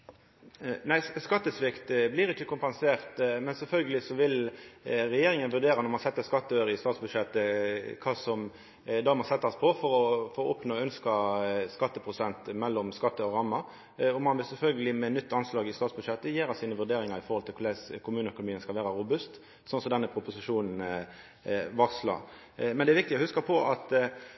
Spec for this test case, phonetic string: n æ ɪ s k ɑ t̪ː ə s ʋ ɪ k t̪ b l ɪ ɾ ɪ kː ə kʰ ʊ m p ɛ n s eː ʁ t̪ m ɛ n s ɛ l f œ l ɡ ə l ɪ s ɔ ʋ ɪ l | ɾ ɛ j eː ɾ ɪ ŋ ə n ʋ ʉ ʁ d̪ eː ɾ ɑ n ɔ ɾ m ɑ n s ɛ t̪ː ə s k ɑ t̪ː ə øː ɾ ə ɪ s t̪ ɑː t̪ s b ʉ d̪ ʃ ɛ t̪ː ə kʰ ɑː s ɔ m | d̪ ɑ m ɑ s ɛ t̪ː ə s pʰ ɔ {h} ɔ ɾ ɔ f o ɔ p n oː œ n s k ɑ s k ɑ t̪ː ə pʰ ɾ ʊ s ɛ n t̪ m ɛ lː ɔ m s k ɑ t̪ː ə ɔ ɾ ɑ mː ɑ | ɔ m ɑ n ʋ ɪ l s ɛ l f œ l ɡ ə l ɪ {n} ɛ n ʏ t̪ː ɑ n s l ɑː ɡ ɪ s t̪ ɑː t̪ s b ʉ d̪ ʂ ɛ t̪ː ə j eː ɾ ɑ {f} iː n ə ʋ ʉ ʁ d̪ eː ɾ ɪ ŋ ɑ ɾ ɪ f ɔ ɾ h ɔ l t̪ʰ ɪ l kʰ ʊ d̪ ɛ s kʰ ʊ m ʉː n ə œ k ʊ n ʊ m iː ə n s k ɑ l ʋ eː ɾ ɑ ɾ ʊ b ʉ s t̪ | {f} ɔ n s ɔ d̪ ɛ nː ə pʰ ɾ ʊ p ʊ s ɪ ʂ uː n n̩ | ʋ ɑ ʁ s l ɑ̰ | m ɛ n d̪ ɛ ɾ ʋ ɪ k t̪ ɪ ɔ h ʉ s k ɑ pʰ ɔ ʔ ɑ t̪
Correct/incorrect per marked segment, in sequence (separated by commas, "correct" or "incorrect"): incorrect, incorrect, incorrect, incorrect